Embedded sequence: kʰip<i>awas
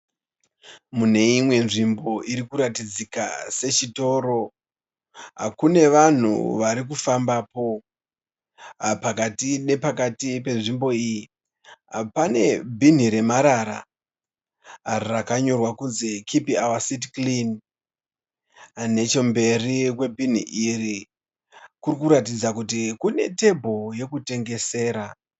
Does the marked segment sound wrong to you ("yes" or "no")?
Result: no